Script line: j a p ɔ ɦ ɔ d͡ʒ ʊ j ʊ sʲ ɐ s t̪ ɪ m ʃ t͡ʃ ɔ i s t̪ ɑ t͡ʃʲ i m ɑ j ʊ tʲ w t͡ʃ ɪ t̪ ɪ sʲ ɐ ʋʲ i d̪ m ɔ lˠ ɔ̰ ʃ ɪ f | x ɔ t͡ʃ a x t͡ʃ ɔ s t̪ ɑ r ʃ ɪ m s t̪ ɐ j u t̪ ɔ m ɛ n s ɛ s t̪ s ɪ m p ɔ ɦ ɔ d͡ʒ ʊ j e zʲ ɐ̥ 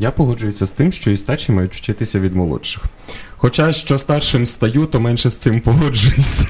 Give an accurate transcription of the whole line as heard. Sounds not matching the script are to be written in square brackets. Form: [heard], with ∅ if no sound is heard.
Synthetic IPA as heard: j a p ɔ ɦ ɔ d͡ʒ ʊ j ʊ sʲ ɐ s t̪ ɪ m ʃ t͡ʃ ɔ i s t̪ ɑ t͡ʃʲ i m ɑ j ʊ tʲ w t͡ʃ ɪ t̪ ɪ sʲ ɐ ʋʲ i d̪ m ɔ lˠ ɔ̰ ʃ ɪ [x] | x ɔ t͡ʃ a [ʃ] t͡ʃ ɔ s t̪ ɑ r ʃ ɪ m s t̪ ɐ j u t̪ ɔ m ɛ n [ʃ] ɛ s t̪ s ɪ m p ɔ ɦ ɔ d͡ʒ ʊ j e [sʲ] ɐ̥